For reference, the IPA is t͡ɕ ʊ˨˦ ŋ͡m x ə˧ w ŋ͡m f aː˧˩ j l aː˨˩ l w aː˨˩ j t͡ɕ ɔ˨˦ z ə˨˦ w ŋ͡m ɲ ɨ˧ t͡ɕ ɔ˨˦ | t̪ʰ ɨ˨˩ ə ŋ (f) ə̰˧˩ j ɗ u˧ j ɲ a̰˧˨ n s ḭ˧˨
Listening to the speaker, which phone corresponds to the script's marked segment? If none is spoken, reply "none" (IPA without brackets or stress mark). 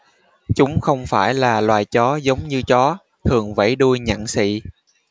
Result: v